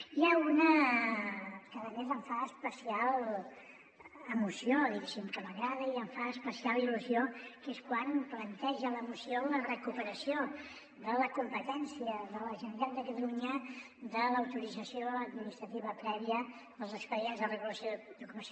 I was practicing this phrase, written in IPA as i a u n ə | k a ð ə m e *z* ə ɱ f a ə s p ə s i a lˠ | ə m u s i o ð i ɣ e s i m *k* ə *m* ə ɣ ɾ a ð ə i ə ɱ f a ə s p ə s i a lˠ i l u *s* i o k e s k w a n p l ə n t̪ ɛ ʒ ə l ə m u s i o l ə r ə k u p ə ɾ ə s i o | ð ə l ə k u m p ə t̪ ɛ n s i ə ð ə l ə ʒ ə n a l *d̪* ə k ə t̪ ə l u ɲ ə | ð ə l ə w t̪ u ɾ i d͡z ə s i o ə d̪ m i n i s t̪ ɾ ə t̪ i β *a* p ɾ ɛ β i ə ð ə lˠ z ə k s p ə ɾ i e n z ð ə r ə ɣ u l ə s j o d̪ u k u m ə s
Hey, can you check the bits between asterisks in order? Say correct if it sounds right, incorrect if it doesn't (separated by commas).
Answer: correct, correct, correct, incorrect, correct, incorrect